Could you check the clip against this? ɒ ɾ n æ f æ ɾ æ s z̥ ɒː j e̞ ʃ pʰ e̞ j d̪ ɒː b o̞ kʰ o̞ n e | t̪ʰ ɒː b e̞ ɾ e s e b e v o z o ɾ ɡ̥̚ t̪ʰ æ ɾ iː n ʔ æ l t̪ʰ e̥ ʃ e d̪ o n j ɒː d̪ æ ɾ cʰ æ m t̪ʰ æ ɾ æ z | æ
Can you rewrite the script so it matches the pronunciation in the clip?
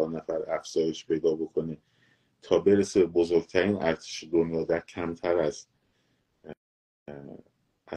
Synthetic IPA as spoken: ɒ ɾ n æ f æ ɾ æ f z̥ ɒː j e̞ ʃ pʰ e̞ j d̪ ɒː b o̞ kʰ o̞ n e | t̪ʰ ɒː b e̞ ɾ e s e b e b o z o ɾ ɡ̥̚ t̪ʰ æ ɾ iː n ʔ æ ɾ t̪ʰ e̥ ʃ e d̪ o n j ɒː d̪ æ ɾ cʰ æ m t̪ʰ æ ɾ æ z | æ